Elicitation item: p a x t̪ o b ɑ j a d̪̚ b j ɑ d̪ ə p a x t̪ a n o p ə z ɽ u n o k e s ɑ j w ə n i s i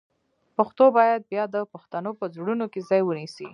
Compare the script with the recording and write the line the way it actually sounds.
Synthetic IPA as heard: p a x t̪ o b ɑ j a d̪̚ b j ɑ d̪ ə p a x t̪ a n o p ə z ɽ u n o k e z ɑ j w ə n i s i